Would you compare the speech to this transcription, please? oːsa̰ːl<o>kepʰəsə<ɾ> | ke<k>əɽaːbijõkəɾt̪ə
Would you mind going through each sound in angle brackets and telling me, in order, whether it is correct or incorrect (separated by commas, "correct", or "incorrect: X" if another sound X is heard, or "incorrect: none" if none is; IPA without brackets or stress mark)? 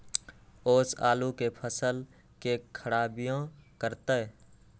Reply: incorrect: u, incorrect: l, incorrect: kʰ